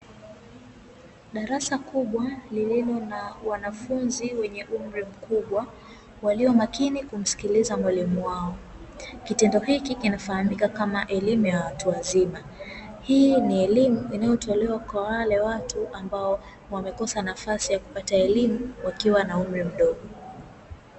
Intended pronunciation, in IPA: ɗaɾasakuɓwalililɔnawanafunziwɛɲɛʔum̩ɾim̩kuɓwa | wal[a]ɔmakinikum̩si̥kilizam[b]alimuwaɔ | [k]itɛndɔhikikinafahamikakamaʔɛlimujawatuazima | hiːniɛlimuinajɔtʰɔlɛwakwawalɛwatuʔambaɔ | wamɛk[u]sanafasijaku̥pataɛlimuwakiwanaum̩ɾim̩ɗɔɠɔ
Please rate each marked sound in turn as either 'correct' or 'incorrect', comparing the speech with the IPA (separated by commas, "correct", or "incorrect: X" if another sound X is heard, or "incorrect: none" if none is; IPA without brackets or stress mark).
incorrect: i, incorrect: w, correct, incorrect: ɔ